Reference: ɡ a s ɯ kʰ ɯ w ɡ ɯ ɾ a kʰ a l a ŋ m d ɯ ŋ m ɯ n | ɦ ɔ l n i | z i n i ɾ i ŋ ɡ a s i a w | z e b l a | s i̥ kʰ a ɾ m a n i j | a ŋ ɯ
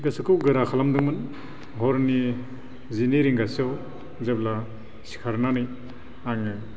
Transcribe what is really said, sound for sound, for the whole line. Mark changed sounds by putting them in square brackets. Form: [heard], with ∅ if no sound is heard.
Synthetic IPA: ɡ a s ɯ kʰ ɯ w ɡ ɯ ɾ a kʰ a l a [∅] m d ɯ ŋ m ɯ n | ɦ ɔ [ɾ] n i | z i n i ɾ i ŋ ɡ a s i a w | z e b l a | s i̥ kʰ a ɾ [n] a n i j | a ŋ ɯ